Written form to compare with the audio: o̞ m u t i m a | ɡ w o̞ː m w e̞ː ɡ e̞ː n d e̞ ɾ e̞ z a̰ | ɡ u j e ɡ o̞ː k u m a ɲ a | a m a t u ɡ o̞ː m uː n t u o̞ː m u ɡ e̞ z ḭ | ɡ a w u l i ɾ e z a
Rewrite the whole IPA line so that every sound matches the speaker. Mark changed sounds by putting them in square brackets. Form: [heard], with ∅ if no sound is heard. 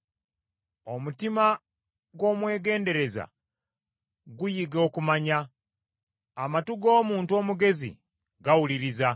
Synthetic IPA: o̞ m u t i m a | ɡ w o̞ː m w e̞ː ɡ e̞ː n d e̞ ɾ e̞ z a̰ | ɡ u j [i] ɡ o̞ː k u m a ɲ a | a m a t u ɡ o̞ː m uː n t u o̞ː m u ɡ e̞ z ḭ | ɡ a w u l i ɾ [i] z a